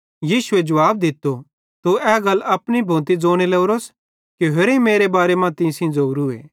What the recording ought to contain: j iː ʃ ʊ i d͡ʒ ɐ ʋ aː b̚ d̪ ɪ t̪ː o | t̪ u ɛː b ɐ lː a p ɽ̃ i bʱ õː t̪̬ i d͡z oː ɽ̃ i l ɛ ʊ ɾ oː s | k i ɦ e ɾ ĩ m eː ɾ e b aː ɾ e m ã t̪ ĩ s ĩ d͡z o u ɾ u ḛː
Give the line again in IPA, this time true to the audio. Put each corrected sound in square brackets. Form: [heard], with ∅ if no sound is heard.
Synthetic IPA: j iː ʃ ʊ [e] d͡ʒ ɐ ʋ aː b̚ d̪ ɪ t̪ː o | t̪ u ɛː [ɡ] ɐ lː [ɐ] p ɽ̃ i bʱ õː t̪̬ i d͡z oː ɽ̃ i l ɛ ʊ ɾ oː s | k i ɦ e ɾ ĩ m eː ɾ e b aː ɾ e m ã t̪ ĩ s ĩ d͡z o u ɾ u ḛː